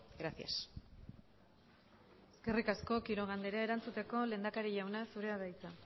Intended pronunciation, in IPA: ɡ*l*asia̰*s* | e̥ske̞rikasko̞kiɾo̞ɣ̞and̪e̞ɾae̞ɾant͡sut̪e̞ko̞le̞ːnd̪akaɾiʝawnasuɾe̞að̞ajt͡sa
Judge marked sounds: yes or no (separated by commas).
no, yes